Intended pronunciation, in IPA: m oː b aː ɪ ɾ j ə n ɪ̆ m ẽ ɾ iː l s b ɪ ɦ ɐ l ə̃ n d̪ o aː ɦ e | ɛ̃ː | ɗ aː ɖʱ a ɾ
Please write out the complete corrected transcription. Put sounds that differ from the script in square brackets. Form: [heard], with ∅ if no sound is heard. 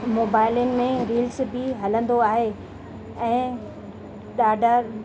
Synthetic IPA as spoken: m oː b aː ɪ [l] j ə n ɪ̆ m ẽ ɾ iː l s b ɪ ɦ ɐ l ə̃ n d̪ o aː ɦ e | ɛ̃ː | ɗ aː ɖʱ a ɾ